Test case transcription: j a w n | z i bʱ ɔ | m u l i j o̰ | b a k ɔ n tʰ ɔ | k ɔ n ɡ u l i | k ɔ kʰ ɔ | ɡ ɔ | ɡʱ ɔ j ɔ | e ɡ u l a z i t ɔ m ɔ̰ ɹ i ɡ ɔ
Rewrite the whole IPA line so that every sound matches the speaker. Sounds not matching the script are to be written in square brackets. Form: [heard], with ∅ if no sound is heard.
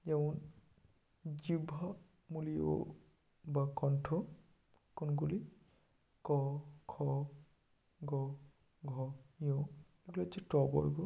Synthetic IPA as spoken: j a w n | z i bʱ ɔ | m u l i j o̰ | b a k ɔ n tʰ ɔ | k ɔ n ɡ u l i | k ɔ kʰ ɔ | ɡ ɔ | ɡʱ ɔ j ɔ | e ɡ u l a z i t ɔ [b] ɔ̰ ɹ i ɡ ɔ